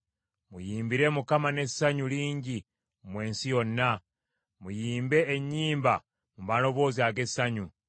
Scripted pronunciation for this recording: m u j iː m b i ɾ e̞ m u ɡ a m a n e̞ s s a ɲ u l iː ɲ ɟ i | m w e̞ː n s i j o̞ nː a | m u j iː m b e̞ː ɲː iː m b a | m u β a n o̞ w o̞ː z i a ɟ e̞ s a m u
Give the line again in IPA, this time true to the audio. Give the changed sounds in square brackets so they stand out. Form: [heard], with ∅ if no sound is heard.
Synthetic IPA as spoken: m u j iː m b i ɾ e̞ m u [k] a m a n e̞ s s a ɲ u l iː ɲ ɟ i | m w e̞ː n s i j o̞ nː a | m u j iː m b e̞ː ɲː iː m b a | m u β a n o̞ [β] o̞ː z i a [ɡ] e̞ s a [ɲ] u